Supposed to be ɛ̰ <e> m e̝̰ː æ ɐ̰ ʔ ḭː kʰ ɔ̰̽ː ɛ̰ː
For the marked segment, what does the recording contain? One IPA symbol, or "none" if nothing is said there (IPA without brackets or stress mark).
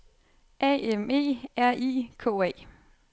e